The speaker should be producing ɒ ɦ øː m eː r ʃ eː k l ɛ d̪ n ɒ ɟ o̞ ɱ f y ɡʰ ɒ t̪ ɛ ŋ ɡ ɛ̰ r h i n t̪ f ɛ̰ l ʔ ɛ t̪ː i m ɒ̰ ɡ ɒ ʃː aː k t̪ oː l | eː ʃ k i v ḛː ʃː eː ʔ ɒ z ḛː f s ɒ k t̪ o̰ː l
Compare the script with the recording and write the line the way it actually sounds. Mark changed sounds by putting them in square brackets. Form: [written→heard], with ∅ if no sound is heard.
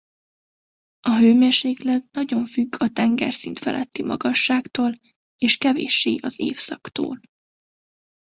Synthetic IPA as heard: ɒ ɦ øː m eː r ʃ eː k l ɛ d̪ n ɒ ɟ o̞ ɱ f y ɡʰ ɒ t̪ ɛ ŋ ɡ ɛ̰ r [h→s] i n t̪ f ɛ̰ l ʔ ɛ t̪ː i m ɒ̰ ɡ ɒ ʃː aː k t̪ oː l | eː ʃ k [i→ɛ] v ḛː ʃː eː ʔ ɒ z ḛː f s ɒ k t̪ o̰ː l